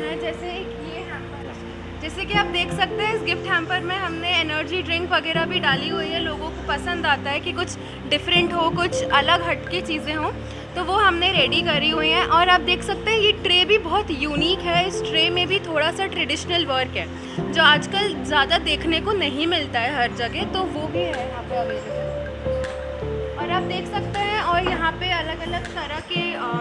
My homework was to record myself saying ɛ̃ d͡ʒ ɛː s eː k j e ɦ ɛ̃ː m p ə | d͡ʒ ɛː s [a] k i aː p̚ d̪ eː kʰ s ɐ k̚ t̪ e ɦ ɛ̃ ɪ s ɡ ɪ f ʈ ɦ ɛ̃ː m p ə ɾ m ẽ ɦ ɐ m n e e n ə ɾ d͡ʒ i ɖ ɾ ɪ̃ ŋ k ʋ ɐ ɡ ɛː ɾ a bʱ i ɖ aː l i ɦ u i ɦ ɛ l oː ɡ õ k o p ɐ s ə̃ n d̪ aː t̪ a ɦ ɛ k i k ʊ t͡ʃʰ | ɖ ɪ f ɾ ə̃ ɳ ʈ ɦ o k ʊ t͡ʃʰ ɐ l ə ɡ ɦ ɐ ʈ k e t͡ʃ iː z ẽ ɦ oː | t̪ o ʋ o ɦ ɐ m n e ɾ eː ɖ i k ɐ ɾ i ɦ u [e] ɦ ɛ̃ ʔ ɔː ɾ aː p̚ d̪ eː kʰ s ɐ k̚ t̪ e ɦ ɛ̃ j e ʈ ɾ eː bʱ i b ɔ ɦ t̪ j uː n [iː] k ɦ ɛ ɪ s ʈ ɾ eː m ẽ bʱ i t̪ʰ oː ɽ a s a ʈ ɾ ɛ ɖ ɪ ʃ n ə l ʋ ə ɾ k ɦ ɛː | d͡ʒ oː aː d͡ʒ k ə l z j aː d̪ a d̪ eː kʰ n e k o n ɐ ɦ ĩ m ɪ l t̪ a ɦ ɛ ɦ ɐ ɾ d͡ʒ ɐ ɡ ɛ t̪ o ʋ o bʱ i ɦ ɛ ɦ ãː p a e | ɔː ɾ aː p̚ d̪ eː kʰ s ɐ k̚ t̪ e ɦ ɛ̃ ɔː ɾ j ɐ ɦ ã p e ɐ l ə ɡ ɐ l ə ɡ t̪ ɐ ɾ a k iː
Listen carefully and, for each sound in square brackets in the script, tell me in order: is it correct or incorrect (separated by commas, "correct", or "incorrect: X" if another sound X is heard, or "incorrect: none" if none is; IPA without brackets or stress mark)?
incorrect: e, incorrect: i, correct